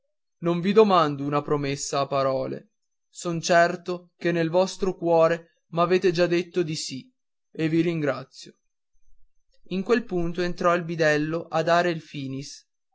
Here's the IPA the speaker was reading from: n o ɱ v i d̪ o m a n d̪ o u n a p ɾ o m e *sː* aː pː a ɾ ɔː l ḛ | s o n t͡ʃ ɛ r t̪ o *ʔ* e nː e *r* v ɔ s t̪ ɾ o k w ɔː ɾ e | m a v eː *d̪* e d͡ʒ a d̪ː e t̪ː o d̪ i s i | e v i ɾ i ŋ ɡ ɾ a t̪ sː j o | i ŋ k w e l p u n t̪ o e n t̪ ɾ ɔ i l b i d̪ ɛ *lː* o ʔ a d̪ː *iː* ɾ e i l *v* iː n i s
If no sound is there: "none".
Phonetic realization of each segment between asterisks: sː, k, l, t̪, lː, aː, f

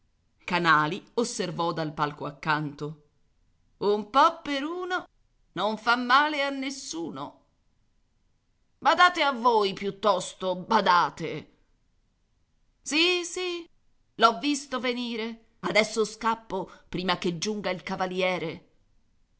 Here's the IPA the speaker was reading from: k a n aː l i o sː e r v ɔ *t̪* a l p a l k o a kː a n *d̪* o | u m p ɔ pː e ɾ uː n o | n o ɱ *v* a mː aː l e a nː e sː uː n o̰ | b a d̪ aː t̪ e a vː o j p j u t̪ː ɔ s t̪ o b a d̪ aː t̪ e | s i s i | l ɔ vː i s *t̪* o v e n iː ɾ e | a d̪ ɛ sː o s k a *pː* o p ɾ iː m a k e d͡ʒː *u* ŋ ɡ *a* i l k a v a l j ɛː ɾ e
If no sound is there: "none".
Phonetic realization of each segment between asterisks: d̪, t̪, f, t̪, pː, u, a

